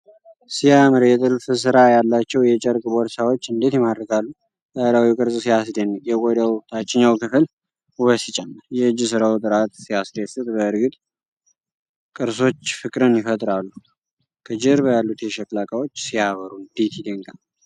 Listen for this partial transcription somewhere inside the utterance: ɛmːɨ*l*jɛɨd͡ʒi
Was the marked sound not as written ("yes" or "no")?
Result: yes